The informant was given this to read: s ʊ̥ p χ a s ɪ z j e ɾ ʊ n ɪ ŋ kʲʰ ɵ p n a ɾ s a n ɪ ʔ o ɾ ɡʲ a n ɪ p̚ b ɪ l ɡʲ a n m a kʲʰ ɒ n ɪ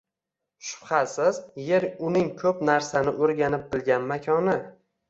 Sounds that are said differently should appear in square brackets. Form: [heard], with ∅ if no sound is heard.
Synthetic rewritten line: [ʃ] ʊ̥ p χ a s ɪ z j e ɾ ʊ n ɪ ŋ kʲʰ ɵ p n a ɾ s a n ɪ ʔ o ɾ ɡʲ a n ɪ p̚ b ɪ l ɡʲ a n m a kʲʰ ɒ n ɪ